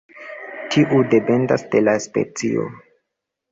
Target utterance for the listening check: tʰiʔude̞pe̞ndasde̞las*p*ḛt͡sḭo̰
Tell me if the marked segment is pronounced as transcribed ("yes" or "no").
yes